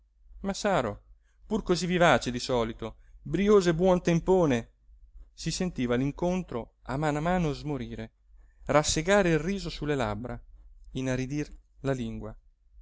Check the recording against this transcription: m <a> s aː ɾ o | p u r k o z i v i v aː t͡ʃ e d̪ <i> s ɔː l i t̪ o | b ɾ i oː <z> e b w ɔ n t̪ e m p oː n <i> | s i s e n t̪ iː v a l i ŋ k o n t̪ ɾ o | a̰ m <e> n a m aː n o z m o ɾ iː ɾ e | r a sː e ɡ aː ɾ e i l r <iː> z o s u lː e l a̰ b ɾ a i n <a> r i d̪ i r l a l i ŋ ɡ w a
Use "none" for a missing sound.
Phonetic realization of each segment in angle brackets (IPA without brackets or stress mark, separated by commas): a, i, z, e, a, iː, a